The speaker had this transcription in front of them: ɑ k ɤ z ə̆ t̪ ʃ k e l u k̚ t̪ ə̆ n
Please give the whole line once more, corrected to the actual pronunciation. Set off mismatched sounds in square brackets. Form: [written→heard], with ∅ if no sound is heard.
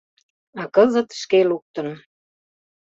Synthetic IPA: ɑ k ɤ z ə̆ t̪ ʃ k e l u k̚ t̪ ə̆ n